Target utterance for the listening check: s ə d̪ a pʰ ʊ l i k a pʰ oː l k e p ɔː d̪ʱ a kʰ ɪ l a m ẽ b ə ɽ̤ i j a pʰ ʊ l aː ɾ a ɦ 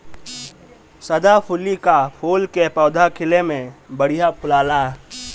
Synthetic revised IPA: s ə d̪ a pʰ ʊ l i k a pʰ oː l k e p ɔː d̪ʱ a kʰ ɪ l e m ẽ b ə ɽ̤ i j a pʰ ʊ l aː l a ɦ